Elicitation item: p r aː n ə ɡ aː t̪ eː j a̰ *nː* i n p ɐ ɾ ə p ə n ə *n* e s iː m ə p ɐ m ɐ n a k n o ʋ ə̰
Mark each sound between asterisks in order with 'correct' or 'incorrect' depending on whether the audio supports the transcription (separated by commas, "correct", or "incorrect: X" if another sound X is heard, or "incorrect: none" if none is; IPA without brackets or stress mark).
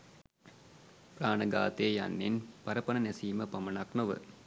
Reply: correct, correct